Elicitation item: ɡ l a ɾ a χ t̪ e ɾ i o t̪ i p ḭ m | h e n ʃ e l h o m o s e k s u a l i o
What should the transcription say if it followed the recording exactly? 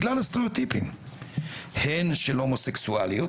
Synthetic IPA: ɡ l a l a s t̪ e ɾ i o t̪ i p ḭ m | h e n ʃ e l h o m o s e k s u a l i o